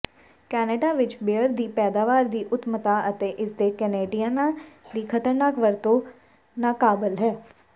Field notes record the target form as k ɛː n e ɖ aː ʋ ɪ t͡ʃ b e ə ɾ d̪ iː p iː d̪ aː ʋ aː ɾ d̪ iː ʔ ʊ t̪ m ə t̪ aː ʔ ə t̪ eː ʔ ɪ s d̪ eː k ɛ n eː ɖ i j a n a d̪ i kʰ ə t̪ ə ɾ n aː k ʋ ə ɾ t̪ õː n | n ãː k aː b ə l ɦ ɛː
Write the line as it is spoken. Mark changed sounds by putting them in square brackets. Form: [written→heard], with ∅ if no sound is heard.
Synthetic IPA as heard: k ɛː n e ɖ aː ʋ ɪ t͡ʃ b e ə ɾ d̪ iː p [iː→ɛː] d̪ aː ʋ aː ɾ d̪ iː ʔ ʊ t̪ m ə t̪ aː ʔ ə t̪ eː ʔ ɪ s d̪ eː k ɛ n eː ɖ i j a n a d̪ [i→iː] kʰ ə t̪ ə ɾ n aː k ʋ ə ɾ t̪ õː [n→∅] | n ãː k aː b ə l ɦ ɛː